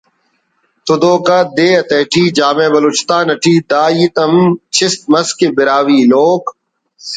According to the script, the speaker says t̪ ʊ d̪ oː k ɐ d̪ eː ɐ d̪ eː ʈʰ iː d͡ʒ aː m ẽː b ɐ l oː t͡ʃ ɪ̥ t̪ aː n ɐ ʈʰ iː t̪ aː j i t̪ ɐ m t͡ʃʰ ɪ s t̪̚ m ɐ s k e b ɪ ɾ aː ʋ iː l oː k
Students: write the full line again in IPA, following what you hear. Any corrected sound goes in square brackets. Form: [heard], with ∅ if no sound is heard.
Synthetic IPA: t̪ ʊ d̪ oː k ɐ d̪ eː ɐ [t̪] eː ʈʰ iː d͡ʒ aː m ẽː b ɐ l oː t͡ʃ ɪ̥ t̪ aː n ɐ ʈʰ iː [d̪] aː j i t̪ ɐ m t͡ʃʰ ɪ s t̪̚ m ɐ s k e b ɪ ɾ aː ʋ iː l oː k